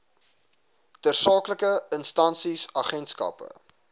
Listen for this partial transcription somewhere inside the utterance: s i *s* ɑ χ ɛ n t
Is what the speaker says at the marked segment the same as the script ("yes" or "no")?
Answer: yes